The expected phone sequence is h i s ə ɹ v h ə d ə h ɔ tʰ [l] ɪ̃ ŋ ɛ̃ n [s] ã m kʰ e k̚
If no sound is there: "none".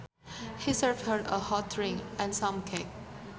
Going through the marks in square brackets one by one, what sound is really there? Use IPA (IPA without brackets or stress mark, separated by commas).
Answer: ɹ, s